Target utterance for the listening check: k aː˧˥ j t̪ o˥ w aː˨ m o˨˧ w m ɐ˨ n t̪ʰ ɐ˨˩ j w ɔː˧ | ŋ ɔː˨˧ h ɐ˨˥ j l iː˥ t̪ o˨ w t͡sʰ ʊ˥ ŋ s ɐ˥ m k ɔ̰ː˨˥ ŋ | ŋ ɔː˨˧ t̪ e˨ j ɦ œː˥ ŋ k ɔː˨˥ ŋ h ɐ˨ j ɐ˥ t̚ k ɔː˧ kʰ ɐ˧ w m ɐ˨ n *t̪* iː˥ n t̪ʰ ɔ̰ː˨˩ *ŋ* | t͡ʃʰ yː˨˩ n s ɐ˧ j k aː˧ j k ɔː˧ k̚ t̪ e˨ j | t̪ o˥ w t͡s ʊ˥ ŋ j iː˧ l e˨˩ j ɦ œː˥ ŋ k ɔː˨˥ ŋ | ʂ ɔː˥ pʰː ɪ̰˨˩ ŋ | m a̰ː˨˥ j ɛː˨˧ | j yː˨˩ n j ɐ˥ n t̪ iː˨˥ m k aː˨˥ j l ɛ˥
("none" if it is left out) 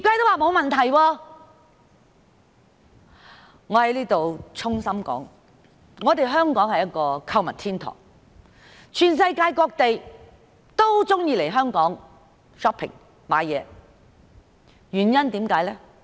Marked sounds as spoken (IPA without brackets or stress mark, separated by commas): t̪ʰ, ŋ